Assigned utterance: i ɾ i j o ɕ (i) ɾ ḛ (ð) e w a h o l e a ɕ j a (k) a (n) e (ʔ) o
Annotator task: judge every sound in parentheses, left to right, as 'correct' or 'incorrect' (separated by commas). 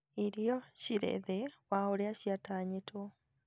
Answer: correct, correct, incorrect, incorrect, incorrect